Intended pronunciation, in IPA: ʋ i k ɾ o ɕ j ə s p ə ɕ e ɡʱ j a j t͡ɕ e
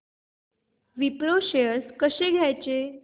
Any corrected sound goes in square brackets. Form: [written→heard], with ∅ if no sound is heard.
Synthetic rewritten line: ʋ i [k→p] ɾ o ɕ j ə s [p→k] ə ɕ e ɡʱ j a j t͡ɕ e